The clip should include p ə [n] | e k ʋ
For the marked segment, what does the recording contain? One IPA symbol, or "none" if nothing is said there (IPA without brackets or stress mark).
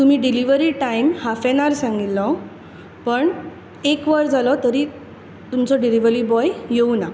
ɳ